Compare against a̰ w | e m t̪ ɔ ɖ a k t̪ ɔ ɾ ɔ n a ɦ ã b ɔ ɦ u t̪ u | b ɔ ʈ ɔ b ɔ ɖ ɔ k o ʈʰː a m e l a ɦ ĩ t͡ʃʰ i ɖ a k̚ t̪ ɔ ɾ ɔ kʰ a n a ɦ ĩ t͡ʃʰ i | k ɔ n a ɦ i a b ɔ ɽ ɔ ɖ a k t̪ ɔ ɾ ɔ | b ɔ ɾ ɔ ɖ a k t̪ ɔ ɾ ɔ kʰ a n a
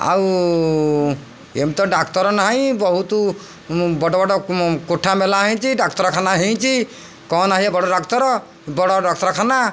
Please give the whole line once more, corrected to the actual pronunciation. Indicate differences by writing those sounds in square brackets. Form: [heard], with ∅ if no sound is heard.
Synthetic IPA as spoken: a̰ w | e m t̪ ɔ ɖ a k t̪ ɔ ɾ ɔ n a ɦ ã b ɔ ɦ u t̪ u | b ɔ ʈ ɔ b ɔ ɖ ɔ k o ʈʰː a m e l a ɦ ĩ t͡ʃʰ i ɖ a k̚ t̪ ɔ ɾ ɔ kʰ a n a ɦ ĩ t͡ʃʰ i | k ɔ n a ɦ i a b ɔ ɽ ɔ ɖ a k t̪ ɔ ɾ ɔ | b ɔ [ɽ] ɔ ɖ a k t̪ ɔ ɾ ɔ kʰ a n a